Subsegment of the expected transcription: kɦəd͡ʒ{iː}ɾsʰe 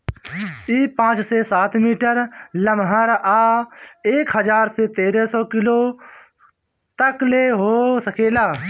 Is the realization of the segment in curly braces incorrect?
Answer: yes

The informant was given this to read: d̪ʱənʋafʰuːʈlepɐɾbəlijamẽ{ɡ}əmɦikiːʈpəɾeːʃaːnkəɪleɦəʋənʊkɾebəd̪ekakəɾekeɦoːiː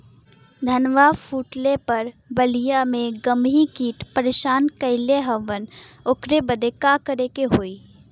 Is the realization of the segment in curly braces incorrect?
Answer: no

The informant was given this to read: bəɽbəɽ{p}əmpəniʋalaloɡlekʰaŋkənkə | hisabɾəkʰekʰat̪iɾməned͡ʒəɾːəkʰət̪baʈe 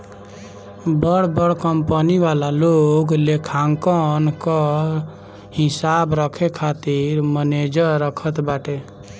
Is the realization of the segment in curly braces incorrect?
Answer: yes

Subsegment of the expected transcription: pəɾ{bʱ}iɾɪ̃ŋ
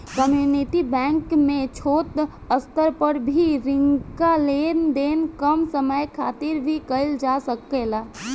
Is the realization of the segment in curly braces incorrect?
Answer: no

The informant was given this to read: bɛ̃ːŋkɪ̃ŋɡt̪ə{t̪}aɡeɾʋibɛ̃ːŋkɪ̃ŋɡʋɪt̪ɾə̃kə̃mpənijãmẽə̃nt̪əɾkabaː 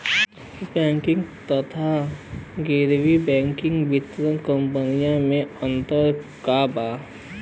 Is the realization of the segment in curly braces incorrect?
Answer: yes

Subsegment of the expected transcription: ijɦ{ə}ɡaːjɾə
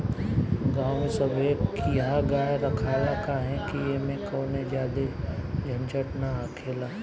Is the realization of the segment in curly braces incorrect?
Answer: yes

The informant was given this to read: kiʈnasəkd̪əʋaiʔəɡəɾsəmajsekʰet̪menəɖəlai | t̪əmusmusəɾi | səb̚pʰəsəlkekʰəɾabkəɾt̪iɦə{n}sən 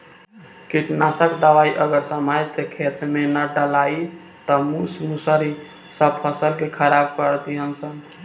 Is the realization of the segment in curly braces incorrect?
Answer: no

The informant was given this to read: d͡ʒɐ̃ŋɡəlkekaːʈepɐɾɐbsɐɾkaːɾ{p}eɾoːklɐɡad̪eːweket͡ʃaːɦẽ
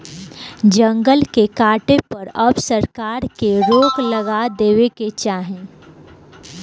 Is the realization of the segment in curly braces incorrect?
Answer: yes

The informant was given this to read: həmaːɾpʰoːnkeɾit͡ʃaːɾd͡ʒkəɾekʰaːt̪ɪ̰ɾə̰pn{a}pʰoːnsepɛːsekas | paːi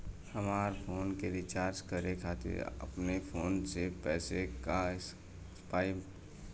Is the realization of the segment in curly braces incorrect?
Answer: yes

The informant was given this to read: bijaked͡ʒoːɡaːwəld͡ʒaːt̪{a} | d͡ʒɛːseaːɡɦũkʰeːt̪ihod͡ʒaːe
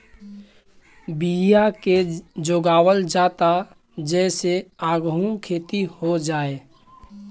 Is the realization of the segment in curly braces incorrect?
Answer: no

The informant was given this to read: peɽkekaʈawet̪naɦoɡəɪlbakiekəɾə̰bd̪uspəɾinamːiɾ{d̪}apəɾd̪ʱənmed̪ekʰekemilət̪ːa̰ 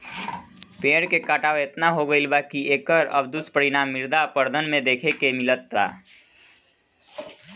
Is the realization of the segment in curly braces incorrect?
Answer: no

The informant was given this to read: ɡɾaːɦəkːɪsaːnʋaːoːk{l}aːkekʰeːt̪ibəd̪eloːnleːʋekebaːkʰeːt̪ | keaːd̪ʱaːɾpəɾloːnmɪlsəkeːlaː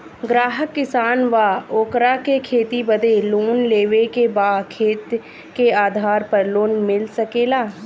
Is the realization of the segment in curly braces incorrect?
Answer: yes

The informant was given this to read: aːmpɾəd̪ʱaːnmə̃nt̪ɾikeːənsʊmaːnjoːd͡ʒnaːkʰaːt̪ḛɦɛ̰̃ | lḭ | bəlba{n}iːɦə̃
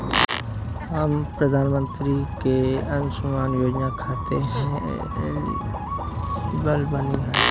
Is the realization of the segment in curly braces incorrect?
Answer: no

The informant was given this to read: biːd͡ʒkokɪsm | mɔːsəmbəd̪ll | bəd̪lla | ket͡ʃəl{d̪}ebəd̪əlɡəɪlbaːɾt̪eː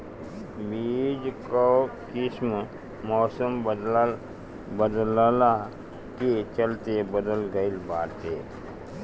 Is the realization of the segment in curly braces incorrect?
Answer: yes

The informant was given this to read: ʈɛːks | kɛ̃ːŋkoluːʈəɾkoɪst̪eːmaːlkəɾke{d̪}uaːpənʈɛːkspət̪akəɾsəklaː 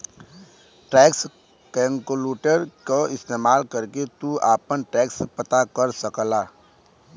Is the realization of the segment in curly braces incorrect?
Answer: yes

